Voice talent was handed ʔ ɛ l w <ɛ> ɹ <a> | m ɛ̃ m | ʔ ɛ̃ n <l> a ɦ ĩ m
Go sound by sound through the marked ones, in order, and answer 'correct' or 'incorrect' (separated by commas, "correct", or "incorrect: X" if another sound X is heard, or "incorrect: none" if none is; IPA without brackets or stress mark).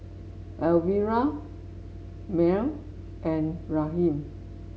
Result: incorrect: i, correct, incorrect: ɹ